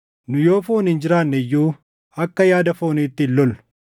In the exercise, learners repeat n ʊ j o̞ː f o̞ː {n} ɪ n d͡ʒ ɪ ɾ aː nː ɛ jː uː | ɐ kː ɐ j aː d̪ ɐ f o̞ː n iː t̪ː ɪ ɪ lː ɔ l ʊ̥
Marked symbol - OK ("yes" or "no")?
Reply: yes